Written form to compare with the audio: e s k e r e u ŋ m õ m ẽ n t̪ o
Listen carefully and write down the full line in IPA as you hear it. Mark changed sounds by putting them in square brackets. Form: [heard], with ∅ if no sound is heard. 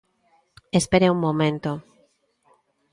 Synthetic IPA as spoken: e s [p] e [ɾ] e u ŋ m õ m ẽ n t̪ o